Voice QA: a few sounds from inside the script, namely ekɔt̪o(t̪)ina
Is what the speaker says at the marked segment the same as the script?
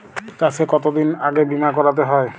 no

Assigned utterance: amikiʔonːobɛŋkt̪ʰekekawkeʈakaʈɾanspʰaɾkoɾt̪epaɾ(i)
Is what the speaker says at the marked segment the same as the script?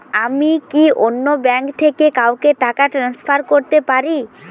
yes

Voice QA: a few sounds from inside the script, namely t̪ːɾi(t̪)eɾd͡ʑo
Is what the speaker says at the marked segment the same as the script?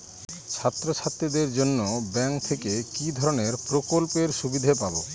no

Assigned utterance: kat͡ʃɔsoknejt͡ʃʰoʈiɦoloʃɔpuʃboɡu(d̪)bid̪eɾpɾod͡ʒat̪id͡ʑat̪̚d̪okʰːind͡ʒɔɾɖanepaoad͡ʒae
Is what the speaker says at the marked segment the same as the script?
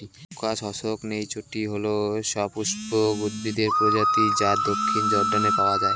yes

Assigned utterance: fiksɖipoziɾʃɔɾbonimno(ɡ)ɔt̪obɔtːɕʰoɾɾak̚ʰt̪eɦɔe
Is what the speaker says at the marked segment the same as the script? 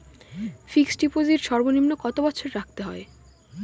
no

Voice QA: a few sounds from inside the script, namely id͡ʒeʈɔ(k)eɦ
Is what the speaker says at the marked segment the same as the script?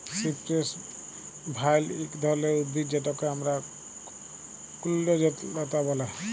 yes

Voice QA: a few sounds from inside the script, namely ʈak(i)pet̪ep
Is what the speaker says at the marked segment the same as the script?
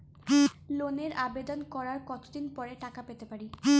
no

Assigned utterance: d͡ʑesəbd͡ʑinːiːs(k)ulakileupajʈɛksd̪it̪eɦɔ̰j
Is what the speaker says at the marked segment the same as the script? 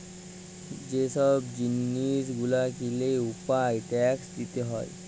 no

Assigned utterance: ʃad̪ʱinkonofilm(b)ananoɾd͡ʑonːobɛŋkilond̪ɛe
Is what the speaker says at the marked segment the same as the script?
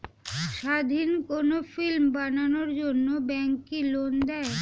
yes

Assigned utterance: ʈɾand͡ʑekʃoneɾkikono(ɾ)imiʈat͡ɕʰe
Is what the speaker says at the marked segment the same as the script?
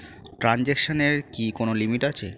no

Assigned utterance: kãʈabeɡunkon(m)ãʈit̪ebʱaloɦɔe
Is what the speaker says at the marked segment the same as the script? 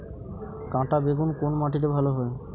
yes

